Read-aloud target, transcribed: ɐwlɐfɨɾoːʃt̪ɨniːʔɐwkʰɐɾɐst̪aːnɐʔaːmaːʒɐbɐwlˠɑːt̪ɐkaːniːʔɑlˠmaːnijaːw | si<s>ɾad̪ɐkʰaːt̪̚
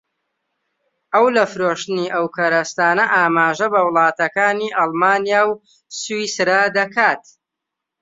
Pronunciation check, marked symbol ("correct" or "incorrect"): correct